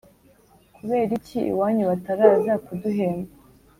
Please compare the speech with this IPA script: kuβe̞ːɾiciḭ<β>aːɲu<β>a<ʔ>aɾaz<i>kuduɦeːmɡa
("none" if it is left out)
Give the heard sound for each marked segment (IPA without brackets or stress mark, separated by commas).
w, β, t, a